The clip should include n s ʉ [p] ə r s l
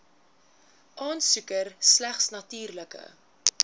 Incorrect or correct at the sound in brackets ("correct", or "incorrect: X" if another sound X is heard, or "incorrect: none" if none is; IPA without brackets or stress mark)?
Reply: incorrect: k